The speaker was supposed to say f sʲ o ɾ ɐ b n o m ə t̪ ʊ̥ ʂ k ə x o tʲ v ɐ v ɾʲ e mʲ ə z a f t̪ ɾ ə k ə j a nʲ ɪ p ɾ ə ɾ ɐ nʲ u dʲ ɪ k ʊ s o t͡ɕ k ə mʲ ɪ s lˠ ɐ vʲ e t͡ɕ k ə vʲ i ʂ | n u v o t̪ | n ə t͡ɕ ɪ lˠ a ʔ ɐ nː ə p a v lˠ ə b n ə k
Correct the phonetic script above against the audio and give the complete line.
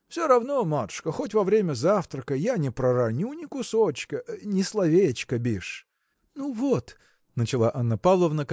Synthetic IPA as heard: f sʲ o ɾ ɐ v n o m a t̪ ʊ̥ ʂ k ə x o tʲ v ɐ v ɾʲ e mʲ ə z a f t̪ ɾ ə k ə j a nʲ ɪ p ɾ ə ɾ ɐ nʲ u nʲ ɪ k ʊ s o t͡ɕ k ə nʲ ɪ s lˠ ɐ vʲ e t͡ɕ k ə bʲ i ʂ | n u v o t̪ | n ə t͡ɕ ɪ lˠ a ʔ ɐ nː ə p a v lˠ ə v n ə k